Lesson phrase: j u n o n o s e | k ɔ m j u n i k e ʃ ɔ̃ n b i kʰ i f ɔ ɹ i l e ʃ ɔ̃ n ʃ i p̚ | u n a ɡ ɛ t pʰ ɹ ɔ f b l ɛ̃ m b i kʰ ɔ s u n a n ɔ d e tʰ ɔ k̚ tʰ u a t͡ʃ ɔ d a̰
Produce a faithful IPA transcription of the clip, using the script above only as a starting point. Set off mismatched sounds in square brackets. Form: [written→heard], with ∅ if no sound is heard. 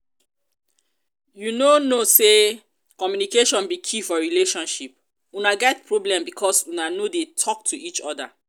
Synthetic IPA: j u n o n o s e | k ɔ m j u n i k e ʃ ɔ̃ n b i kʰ i f ɔ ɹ i l e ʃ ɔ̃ n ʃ i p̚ | u n a ɡ ɛ t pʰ ɹ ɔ [f→∅] b l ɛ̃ m b i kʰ ɔ s u n a n [ɔ→o] d e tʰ ɔ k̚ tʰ u [a→i] t͡ʃ ɔ d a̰